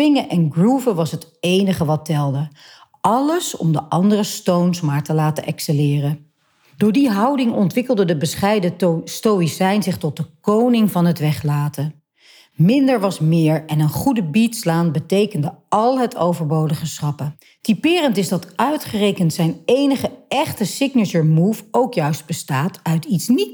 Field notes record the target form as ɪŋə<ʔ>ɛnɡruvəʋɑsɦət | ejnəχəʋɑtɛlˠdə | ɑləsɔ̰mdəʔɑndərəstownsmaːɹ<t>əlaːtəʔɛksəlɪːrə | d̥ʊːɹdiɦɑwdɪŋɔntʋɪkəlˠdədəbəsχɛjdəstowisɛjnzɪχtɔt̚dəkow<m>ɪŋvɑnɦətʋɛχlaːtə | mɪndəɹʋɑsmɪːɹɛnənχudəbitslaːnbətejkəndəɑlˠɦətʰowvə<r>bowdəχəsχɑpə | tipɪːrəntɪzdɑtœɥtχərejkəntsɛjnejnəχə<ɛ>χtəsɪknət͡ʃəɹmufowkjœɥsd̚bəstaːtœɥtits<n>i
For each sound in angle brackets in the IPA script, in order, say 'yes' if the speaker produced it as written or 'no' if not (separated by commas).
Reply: yes, yes, no, no, yes, yes